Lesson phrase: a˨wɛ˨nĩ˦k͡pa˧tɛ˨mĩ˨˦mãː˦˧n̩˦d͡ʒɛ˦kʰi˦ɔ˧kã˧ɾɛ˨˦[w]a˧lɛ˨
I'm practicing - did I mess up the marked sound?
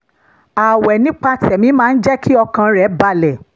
yes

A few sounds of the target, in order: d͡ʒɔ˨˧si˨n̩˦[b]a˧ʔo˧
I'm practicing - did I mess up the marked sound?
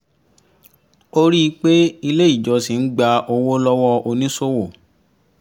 yes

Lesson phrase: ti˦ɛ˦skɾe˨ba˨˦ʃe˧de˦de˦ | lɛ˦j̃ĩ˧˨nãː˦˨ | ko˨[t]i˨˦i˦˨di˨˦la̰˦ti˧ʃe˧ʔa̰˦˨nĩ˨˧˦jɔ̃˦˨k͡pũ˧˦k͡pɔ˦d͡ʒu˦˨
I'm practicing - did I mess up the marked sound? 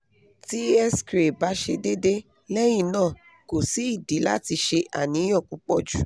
yes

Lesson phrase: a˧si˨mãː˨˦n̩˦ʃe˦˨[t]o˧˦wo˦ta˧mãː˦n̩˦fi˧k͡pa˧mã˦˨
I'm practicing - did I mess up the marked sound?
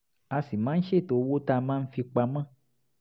no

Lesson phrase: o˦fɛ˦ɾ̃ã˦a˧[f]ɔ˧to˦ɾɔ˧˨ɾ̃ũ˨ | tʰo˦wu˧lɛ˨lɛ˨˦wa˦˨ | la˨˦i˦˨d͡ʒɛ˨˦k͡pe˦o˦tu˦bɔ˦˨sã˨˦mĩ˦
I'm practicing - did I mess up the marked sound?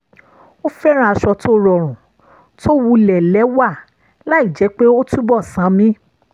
yes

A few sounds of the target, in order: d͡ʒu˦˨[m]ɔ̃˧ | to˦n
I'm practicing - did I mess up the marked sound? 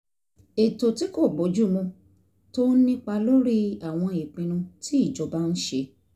no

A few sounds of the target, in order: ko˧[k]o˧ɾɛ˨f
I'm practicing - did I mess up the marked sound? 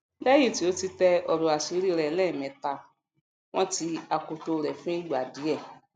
yes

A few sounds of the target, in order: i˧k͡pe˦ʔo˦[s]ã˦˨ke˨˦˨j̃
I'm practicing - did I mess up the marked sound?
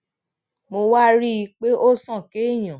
no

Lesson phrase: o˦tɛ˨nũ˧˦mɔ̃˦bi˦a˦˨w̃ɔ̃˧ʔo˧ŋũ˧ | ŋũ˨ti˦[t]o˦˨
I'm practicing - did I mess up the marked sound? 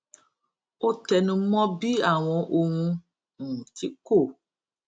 yes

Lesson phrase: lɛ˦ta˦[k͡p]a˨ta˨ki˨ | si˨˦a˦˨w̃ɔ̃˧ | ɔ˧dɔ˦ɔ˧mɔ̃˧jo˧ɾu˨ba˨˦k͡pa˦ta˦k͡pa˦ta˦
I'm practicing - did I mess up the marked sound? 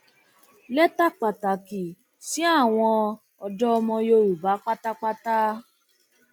no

